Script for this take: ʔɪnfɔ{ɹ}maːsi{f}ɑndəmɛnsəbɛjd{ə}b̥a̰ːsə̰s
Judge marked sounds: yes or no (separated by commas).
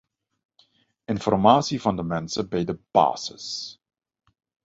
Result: no, no, yes